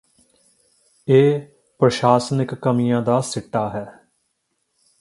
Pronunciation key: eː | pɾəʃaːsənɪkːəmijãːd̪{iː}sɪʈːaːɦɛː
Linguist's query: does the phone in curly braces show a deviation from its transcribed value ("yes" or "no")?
yes